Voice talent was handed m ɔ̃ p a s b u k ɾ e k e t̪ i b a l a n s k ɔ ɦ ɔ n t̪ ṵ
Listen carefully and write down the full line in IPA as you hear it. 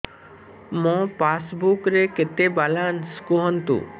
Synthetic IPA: m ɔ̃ p a s b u k ɾ e k e t̪ e b a l a n s k u ɦ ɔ n t̪ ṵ